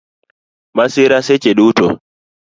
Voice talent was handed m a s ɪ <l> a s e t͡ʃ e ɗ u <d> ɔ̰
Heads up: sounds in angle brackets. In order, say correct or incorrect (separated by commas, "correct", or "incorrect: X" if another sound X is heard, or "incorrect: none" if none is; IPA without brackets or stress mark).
incorrect: ɾ, incorrect: t